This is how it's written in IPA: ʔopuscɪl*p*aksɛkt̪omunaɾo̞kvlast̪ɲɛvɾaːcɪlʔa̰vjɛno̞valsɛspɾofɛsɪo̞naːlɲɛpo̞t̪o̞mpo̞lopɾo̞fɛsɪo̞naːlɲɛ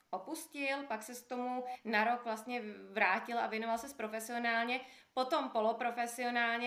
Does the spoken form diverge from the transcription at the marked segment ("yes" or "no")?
no